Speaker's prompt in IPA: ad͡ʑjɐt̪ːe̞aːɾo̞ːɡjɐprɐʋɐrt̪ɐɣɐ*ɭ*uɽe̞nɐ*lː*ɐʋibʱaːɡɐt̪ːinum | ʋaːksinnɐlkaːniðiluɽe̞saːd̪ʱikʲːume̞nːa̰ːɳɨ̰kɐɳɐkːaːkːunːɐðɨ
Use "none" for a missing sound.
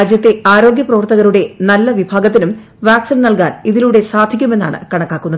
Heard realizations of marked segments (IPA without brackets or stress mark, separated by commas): ɾ, lː